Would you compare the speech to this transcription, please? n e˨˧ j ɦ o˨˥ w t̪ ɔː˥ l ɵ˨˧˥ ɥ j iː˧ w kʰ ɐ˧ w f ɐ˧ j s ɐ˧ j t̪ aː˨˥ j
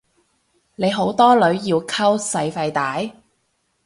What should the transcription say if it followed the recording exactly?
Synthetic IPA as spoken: n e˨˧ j ɦ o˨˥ w t̪ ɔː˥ l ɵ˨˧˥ ɥ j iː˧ w kʰ ɐ˥ w s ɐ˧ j f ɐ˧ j t̪ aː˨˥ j